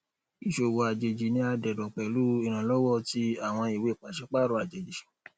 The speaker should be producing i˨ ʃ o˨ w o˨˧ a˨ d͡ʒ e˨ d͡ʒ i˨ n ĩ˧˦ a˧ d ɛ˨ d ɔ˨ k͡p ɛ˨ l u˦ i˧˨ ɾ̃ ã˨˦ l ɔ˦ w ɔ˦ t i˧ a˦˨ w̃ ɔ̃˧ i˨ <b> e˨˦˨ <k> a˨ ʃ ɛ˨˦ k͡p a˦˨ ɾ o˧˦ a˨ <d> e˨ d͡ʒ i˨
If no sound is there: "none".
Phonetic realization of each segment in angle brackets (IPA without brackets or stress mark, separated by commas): w, k͡p, d͡ʒ